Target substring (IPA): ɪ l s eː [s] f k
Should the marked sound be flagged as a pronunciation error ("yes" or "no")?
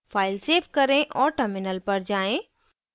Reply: yes